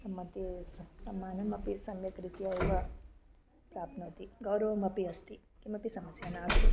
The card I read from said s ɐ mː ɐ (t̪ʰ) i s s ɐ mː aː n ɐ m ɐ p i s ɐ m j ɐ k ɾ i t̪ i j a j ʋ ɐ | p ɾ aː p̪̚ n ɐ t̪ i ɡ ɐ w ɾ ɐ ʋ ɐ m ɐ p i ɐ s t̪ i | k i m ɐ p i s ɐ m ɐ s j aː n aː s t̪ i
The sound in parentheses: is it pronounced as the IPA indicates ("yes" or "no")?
no